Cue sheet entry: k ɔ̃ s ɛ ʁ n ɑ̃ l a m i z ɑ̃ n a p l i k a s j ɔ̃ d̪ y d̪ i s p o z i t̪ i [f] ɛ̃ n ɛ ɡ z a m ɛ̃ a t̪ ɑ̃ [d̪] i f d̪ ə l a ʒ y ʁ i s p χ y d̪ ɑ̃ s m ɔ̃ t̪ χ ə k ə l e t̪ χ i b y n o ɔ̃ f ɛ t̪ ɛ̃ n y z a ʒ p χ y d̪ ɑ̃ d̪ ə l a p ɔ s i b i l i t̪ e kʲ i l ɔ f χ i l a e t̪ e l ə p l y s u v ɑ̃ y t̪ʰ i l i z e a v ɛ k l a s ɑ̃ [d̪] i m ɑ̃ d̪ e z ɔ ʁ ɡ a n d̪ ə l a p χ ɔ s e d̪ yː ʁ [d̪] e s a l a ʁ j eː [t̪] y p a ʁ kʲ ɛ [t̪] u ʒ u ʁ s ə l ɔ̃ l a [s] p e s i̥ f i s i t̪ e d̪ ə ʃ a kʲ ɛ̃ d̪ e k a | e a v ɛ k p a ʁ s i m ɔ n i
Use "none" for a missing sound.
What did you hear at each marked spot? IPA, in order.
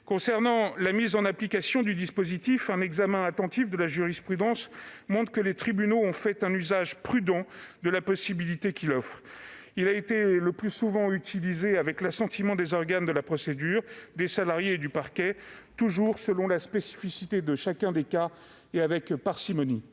f, t̪, t̪, d̪, d̪, t̪, s

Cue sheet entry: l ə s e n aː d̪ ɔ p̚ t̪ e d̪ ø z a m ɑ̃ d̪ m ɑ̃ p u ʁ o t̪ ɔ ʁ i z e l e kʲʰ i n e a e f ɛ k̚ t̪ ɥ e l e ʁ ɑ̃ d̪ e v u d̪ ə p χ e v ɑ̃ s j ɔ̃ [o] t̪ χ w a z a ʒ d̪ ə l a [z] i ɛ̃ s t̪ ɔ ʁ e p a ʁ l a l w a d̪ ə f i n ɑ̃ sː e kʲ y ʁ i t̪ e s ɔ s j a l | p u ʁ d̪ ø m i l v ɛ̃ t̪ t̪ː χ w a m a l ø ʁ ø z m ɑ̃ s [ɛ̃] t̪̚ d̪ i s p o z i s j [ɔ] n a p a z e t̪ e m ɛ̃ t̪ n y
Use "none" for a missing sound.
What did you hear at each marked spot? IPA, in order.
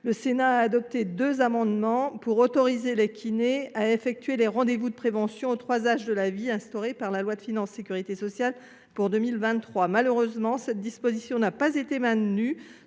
o, v, ɛ, ɔ̃

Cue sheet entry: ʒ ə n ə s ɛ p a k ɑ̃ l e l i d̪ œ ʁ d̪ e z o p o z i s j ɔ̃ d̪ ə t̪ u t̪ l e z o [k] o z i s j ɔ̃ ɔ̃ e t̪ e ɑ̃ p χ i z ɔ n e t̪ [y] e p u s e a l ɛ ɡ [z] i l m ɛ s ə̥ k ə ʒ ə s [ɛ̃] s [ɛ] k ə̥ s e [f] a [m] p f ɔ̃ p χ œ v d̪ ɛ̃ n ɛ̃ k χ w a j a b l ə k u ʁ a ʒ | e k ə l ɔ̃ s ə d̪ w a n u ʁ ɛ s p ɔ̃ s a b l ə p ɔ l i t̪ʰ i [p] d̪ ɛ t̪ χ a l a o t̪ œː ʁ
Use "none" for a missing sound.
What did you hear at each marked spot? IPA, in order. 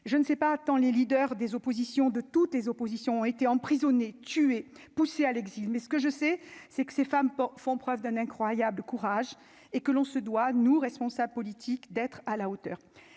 p, y, z, ɛ, ɛ, f, m, k

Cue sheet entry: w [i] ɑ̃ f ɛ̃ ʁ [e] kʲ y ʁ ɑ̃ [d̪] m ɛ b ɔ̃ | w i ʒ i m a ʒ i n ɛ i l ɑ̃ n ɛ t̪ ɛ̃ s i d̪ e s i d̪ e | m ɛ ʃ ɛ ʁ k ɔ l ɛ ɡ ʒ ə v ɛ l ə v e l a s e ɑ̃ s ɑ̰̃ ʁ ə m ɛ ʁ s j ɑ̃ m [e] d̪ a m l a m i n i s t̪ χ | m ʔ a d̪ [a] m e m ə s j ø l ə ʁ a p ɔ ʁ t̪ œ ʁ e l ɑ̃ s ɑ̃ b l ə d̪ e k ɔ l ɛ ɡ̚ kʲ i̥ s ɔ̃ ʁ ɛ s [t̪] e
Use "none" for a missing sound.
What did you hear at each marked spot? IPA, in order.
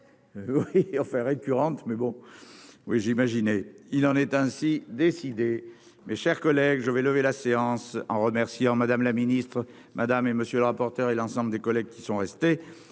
i, e, t̪, a, a, t̪

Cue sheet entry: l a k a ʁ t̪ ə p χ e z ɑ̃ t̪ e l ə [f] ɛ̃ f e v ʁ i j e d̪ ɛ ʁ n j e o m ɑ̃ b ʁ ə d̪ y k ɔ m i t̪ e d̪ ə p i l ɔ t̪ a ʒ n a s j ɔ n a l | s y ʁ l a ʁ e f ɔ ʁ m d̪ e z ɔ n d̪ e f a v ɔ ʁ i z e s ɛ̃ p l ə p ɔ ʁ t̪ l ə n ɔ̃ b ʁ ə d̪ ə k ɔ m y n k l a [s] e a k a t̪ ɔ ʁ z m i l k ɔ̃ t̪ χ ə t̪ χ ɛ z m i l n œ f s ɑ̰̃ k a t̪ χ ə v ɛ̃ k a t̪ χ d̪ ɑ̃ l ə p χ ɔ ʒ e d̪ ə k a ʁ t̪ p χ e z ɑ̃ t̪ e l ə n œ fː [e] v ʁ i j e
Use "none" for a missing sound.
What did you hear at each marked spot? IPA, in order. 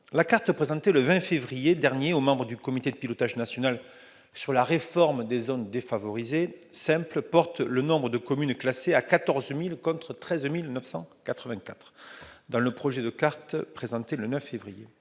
v, s, e

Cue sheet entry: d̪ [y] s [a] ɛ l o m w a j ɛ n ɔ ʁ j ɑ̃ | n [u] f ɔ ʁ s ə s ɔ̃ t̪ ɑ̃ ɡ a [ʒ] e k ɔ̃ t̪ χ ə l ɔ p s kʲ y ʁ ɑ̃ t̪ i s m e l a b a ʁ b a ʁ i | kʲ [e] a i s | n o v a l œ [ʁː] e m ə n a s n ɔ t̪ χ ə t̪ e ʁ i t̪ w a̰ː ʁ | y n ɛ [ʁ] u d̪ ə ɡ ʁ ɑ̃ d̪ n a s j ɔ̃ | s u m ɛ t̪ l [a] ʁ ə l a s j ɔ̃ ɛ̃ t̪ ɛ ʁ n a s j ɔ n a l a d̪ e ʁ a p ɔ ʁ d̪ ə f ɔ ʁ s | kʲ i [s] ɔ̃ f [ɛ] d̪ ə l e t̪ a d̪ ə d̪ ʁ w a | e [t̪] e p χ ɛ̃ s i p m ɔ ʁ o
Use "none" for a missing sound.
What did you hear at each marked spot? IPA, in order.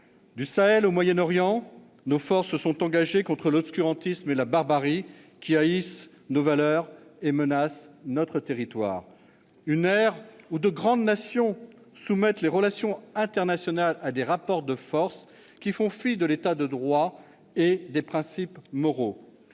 y, a, o, ʒ, i, ʁ, ʁ, e, f, i, d̪

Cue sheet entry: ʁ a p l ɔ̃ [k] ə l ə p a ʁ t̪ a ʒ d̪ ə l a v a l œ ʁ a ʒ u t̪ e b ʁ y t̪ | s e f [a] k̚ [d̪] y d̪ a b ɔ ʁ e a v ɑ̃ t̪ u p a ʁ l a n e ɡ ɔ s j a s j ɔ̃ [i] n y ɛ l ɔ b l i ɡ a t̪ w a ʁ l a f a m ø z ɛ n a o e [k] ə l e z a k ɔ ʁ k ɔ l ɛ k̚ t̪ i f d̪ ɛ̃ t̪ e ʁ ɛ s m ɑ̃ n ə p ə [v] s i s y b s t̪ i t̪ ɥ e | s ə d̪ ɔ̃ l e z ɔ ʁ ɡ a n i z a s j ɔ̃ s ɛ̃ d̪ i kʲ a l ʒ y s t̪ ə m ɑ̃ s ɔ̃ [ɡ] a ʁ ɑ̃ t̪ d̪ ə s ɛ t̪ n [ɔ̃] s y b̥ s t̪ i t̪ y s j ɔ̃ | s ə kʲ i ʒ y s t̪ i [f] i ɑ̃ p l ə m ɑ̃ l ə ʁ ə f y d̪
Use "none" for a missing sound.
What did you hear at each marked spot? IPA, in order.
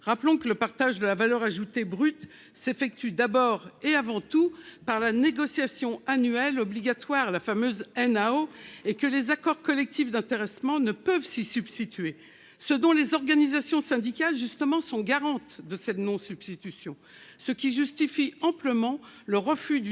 k, ɛ, t̪, a, k, v, ɡ, ɔ̃, f

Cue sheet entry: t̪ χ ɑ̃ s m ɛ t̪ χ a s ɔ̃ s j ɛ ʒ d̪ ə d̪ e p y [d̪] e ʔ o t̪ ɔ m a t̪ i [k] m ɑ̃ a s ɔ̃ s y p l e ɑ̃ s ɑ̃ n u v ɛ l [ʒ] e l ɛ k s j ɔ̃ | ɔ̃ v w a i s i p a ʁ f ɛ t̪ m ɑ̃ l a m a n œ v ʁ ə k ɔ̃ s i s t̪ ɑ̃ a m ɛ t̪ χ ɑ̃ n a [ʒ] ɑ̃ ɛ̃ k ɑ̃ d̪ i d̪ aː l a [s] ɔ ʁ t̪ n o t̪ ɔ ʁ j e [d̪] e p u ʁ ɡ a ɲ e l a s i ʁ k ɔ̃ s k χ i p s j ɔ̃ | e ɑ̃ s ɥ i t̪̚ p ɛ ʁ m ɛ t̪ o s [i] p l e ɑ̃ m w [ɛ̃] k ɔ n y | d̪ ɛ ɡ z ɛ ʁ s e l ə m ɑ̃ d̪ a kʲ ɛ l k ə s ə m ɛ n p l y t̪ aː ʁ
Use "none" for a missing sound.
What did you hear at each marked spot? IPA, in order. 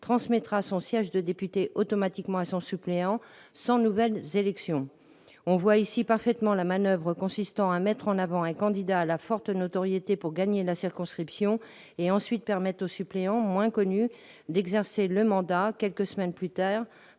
t̪, k, z, v, f, t̪, y, ɛ̃

